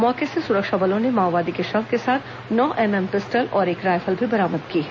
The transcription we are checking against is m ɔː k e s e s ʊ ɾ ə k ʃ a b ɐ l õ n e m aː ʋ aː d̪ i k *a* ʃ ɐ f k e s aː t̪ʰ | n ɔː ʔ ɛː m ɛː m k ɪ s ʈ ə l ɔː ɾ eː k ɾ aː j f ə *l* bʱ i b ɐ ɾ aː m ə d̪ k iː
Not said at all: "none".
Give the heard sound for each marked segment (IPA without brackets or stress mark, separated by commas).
e, l